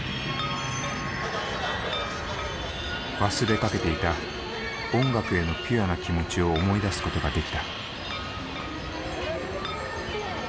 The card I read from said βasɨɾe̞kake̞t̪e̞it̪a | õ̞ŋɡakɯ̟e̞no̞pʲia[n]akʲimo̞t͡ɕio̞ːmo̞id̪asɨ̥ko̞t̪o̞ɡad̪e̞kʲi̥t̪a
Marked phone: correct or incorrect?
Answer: correct